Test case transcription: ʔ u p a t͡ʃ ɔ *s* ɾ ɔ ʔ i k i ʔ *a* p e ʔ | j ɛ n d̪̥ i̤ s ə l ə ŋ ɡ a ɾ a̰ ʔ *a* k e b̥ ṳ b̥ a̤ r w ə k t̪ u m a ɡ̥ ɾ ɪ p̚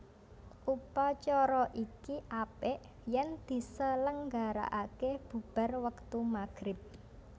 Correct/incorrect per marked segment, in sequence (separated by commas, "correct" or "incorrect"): incorrect, correct, correct